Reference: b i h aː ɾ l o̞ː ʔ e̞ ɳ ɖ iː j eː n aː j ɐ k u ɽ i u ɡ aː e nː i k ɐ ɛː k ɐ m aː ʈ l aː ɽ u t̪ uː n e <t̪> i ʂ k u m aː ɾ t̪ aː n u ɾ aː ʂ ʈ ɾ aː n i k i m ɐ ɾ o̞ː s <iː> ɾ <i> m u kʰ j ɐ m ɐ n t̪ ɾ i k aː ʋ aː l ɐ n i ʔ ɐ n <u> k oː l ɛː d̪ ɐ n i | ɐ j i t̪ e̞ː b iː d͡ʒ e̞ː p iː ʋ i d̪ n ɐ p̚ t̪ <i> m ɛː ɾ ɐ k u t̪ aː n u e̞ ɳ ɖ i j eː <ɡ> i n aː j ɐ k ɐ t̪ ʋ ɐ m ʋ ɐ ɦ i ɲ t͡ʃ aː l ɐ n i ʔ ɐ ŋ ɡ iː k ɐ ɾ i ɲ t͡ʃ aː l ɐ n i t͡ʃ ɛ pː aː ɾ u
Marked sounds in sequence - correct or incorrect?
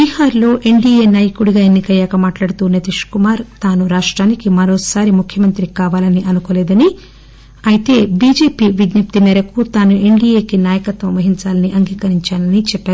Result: correct, incorrect: aː, correct, correct, correct, incorrect: k

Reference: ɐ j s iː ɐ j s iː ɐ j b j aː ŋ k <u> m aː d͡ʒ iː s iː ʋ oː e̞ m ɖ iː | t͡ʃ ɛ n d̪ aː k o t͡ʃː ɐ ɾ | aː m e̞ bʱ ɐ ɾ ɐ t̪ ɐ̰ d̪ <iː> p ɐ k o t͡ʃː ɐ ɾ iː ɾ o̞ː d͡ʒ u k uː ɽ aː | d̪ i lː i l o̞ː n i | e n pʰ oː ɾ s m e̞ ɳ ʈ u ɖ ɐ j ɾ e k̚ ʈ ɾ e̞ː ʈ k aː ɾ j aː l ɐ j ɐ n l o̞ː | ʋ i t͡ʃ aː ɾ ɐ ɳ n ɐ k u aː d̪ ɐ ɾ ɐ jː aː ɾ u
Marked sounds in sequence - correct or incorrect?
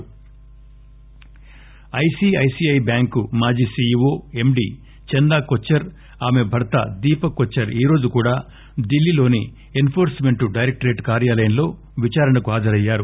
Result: correct, correct

